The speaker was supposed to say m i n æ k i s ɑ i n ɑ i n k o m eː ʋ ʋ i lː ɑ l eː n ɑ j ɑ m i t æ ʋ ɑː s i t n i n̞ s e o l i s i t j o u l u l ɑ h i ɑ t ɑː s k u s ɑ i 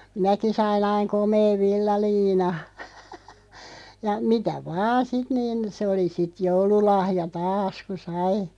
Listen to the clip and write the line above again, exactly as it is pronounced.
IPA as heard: m i n æ k i s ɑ i n ɑ i ŋ k o m eː ʋ ʋ i lː ɑ l iː n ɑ j ɑ m i t æ ʋ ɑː s i t n iː n̞ s e o l i s i t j o u l u l ɑ h j ɑ t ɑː s k u s ɑ i

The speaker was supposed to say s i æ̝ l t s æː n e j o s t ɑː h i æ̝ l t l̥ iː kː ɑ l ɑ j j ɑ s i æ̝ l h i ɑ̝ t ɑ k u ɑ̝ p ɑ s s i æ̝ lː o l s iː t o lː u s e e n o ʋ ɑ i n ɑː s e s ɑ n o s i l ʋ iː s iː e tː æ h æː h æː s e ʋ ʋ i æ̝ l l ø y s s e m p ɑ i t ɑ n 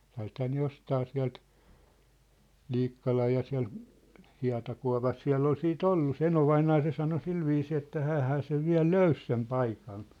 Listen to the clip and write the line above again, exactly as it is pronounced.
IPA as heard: s i æ̝ l t h æː n e j o s t ɑː s i æ̝ l t l̥ iː kː ɑ l ɑ j j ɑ s i æ̝ l h i ɑ̝ t ɑ k u ɑ̝ p ɑ s s i æ̝ lː o l s iː t o lː u s e e n o ʋ ɑ i n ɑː s e s ɑ n o s i l ʋ iː s iː e tː æ h æː h æː s e ʋ ʋ i æ̝ l l ø y s s e m p ɑ i k ɑ n

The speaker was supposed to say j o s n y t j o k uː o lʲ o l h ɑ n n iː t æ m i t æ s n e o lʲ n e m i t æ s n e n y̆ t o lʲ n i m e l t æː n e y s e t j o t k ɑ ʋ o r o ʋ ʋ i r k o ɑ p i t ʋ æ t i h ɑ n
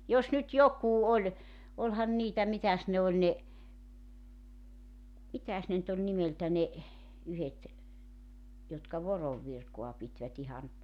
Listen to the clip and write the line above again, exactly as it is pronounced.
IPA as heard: j o s n y t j o k uː o lʲ o l h ɑ n n iː t æ m i t æ s n e o lʲ n e m i t æ s n e n y̆ t o lʲ n i m e l t æ n e y h e t j o t k ɑ ʋ o r o ʋ ʋ i r k o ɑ p i t ʋ æ t i h ɑ n

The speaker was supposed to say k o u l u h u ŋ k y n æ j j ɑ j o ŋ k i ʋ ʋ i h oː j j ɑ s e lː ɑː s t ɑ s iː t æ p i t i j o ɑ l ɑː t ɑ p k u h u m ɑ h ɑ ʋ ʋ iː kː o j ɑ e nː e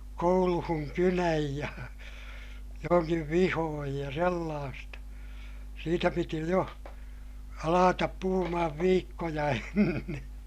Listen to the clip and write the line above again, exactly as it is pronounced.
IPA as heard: k o u l u h u ŋ k y n æ j j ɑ j o ŋ k i ʋ ʋ i h oː j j ɑ s e lː ɑː s t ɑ s iː t æ p i t i j o ɑ l ɑː t ɑ p p u h u m ɑ h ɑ ʋ ʋ iː kː o j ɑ e nː e

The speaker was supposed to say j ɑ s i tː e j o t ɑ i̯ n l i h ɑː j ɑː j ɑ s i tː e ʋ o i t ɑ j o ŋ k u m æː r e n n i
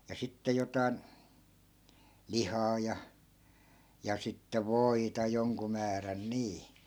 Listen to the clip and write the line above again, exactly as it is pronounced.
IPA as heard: j ɑ s i tː e j o t ɑ i̯ n l i h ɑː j ɑ j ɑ s i tː e ʋ o i t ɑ j o ŋ k u m æː r æ n n iː

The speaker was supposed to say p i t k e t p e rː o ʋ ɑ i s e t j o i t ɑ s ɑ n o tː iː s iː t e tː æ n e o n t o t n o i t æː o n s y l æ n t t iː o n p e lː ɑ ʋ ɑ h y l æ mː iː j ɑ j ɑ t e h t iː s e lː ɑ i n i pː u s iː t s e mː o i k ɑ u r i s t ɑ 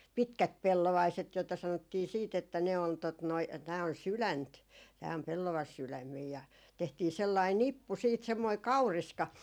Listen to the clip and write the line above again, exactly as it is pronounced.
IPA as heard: p i t k æ t p e lː o ʋ ɑ i s e t j o i t ɑ s ɑ n o tː iː s iː t e tː æ n e o n t o t n o i t æː o n s y l æ n t t æː o m p e lː ɑ ʋ ɑ s y l æ mː iː j ɑ j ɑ t e h t iː s e lː ɑ i n i pː u s iː t s e mː o i k ɑ u r i s k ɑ

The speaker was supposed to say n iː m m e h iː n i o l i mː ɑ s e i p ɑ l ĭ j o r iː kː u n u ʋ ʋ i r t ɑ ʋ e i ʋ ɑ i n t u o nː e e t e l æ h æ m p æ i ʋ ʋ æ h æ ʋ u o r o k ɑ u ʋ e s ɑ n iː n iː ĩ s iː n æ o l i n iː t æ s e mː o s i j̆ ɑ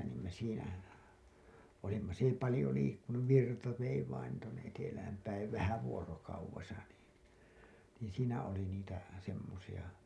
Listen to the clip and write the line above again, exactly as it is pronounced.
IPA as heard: n iː m m e s iː n æ o l i mː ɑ s e i p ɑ l ĭ j o l iː kː u n u ʋ ʋ i r t ɑ ʋ e i ʋ ɑ i n t u o nː e e t e l æ h æ m p æ i ʋ ʋ æ h æ ʋ u o r o k ɑ u ʋ e s ɑ n iː n iː ĩ s iː n æ o l i n iː t æ s e mː o s i j̆ ɑ

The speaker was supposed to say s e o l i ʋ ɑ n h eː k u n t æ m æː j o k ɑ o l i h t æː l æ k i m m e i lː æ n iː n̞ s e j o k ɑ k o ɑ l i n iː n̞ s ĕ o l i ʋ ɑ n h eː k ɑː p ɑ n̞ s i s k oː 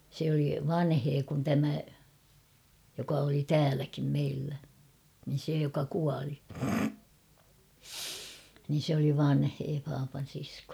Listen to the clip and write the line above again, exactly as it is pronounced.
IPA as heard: s e o l i ʋ ɑ n h eː k u n t æ m æ j o k ɑ o l i t æː l æ k i m m e i lː æ n iː n̞ s e j o k ɑ k u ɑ l i n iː n̞ s ĕ o l i ʋ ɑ n h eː p ɑː p ɑ n̞ s i s k oː

